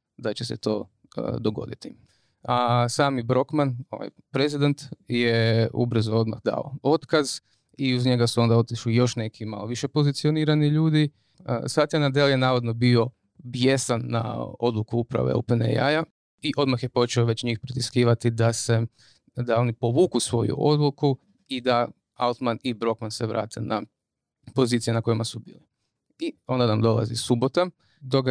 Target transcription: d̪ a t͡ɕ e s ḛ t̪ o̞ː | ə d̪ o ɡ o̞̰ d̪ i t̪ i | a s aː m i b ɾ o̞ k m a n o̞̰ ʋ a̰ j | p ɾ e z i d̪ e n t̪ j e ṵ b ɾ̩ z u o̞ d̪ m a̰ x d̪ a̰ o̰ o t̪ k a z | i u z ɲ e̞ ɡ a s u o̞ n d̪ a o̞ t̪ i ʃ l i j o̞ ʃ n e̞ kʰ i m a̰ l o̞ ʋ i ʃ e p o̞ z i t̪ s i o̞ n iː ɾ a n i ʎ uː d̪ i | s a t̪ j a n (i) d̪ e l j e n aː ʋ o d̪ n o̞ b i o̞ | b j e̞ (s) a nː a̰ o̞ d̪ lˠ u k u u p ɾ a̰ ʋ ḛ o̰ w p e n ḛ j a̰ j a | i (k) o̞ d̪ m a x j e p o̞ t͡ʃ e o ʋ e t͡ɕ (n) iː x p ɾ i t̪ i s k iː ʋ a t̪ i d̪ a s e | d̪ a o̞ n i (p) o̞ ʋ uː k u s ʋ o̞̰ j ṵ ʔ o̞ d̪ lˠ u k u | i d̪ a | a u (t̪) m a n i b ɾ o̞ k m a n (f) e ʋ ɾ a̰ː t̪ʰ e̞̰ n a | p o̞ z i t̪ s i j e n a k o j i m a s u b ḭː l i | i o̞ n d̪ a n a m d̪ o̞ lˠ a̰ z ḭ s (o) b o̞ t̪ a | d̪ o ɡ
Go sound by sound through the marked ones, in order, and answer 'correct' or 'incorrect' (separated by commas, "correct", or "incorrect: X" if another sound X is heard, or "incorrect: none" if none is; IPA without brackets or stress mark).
incorrect: a, correct, incorrect: ʔ, incorrect: ɲ, correct, correct, incorrect: s, incorrect: u